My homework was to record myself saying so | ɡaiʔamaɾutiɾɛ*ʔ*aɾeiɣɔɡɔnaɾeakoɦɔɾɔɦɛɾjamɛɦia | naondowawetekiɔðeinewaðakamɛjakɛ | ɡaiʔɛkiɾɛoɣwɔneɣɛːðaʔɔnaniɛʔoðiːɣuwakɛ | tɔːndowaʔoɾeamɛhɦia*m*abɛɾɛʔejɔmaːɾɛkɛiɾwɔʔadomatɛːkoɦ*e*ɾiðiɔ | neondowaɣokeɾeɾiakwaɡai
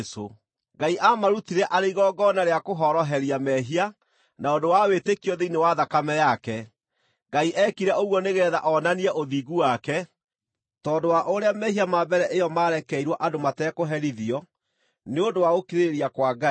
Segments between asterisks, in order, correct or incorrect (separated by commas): correct, correct, incorrect